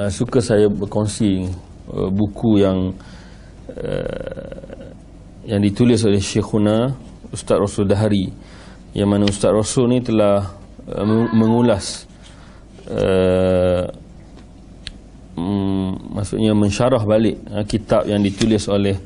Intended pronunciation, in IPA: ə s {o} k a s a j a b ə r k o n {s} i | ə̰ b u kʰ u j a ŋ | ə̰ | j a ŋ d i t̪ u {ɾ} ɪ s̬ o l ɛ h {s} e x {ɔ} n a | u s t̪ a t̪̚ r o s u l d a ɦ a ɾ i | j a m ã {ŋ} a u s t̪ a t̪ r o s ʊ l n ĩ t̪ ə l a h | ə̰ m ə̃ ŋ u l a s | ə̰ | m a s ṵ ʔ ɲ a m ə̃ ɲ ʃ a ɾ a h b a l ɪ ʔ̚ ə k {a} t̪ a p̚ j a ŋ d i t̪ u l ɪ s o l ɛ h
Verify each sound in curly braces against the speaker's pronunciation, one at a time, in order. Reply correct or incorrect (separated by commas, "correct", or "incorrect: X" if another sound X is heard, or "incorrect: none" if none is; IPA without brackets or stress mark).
incorrect: u, correct, incorrect: l, incorrect: ʃ, incorrect: u, incorrect: n, incorrect: i